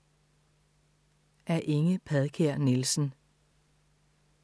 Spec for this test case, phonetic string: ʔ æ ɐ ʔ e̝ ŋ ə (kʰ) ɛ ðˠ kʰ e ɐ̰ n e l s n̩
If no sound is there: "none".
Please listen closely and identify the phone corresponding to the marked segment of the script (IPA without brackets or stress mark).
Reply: pʰ